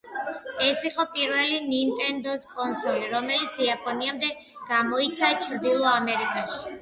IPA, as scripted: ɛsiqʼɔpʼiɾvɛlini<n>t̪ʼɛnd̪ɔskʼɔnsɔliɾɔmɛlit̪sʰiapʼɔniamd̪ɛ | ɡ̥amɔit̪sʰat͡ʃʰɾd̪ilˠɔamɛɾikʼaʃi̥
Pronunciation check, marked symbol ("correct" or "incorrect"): correct